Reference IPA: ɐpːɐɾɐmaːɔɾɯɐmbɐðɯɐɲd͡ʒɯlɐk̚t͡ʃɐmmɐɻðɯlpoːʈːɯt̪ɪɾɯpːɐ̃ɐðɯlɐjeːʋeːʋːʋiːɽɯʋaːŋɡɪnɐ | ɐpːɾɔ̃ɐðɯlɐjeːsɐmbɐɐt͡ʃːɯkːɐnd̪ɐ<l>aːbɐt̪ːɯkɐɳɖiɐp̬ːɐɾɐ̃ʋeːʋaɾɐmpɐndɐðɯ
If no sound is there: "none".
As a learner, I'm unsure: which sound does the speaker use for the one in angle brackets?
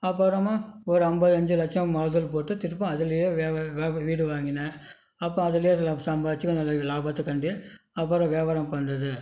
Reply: l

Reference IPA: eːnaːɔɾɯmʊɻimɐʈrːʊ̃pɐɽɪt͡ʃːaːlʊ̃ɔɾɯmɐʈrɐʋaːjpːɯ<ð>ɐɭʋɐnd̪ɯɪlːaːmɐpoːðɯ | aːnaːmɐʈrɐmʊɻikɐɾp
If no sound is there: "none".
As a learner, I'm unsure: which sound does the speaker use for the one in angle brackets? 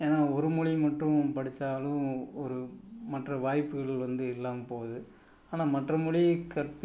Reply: ɣ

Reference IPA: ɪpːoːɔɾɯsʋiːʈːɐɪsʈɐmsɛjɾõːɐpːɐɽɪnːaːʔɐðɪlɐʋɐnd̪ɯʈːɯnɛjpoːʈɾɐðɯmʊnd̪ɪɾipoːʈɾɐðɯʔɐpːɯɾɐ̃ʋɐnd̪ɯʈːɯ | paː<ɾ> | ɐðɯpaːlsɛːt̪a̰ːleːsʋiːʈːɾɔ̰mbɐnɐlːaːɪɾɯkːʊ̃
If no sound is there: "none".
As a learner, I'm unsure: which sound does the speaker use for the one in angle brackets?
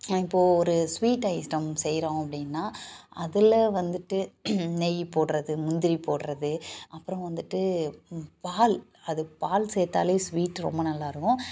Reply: l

